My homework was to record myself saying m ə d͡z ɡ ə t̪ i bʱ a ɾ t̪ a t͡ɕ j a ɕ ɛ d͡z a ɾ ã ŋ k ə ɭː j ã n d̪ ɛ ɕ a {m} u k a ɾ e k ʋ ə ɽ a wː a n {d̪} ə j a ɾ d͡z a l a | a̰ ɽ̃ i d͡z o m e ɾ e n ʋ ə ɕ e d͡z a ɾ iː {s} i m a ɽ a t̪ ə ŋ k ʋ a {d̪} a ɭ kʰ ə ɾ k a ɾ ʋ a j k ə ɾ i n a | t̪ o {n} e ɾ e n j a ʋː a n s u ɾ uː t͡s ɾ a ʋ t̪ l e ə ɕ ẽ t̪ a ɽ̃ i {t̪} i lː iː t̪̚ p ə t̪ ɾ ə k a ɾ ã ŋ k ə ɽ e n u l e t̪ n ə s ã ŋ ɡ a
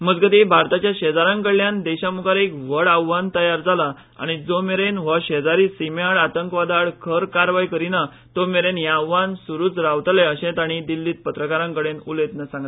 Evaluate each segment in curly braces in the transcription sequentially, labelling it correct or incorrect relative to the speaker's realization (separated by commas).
correct, incorrect, correct, correct, incorrect, incorrect